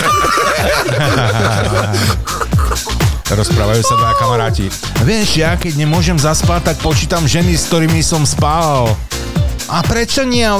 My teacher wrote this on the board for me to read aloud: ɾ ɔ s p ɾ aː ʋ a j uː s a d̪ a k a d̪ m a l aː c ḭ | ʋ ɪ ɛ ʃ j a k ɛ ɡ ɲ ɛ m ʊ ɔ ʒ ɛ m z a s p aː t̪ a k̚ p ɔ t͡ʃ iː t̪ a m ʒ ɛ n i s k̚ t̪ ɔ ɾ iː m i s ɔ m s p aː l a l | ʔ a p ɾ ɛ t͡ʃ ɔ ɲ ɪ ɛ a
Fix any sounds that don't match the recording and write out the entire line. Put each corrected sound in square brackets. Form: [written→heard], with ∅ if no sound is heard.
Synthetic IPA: ɾ ɔ s p ɾ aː ʋ a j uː s a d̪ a k a [d̪→∅] m a [l→ɾ] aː c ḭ | ʋ ɪ ɛ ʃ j a k ɛ [ɡ→ɟ] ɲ ɛ m ʊ ɔ ʒ ɛ m z a s p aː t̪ a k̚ p ɔ t͡ʃ iː t̪ a m ʒ ɛ n i s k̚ t̪ ɔ ɾ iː m i s ɔ m s p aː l a l | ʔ a p ɾ ɛ t͡ʃ ɔ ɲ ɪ ɛ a